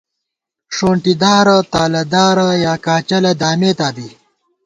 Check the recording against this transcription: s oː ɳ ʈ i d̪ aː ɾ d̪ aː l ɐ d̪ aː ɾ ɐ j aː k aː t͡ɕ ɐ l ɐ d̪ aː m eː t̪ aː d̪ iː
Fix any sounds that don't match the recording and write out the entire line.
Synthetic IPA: ʂ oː ɳ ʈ i d̪ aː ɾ t̪ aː l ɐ d̪ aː ɾ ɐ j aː k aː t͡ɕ ɐ l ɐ d̪ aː m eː t̪ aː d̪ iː